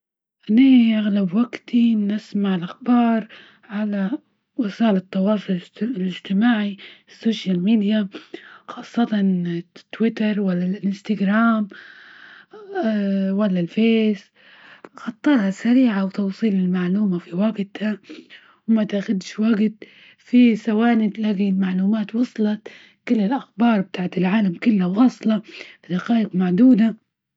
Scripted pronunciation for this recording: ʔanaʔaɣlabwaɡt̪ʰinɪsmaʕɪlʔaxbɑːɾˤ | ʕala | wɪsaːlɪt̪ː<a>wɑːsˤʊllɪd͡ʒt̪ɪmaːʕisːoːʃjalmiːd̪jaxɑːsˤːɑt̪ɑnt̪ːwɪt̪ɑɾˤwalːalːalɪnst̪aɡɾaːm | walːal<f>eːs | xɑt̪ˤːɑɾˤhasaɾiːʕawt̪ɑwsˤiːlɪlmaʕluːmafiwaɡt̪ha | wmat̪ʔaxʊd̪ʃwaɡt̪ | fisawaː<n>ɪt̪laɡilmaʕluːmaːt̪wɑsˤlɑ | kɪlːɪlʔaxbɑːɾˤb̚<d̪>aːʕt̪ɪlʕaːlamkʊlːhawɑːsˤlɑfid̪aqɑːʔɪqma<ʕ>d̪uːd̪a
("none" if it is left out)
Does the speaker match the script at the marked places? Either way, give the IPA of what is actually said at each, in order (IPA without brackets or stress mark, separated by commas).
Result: ɑ, f, n, t̪, ʕ